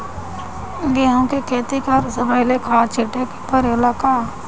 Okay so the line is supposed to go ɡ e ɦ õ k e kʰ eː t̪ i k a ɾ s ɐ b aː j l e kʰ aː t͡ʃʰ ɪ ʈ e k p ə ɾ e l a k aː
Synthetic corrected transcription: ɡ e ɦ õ k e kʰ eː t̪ i k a ɾ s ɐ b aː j l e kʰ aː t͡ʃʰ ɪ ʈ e k p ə ɾ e l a k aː